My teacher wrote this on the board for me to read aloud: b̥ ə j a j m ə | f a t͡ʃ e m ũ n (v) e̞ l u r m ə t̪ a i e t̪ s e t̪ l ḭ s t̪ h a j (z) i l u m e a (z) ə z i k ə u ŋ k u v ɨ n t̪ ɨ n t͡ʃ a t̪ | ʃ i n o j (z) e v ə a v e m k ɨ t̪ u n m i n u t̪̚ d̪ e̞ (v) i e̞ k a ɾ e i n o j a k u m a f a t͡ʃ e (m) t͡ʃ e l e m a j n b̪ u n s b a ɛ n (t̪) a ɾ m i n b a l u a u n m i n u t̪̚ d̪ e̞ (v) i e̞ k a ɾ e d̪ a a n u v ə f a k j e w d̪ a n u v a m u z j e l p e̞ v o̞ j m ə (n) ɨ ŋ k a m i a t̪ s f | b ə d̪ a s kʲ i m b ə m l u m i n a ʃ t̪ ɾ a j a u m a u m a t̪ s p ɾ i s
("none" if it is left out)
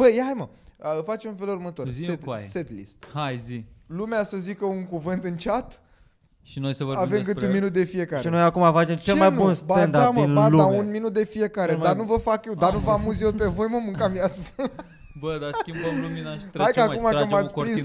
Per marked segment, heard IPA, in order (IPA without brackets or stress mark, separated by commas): f, z, s, s, f, m, d̪, f, m